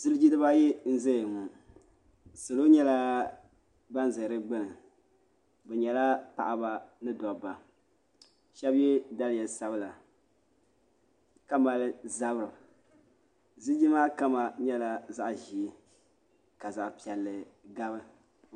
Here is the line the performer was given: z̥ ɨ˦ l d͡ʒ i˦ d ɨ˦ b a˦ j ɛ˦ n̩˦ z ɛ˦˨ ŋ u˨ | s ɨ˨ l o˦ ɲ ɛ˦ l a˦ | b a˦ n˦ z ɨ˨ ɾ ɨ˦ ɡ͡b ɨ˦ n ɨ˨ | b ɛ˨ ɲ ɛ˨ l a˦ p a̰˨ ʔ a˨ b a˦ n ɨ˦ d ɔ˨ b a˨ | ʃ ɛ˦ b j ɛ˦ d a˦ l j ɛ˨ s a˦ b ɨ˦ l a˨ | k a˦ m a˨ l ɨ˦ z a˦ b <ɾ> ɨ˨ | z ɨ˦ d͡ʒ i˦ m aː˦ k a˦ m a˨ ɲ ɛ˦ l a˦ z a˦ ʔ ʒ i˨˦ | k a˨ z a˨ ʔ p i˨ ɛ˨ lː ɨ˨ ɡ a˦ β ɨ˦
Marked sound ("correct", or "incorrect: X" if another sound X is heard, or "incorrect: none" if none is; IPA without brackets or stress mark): correct